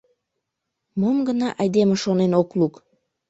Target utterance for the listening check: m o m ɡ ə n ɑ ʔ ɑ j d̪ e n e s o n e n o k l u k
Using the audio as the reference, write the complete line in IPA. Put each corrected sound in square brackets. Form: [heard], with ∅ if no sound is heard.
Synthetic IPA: m o m ɡ ə n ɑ ʔ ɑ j d̪ e [m] e [ʃ] o n e n o k l u k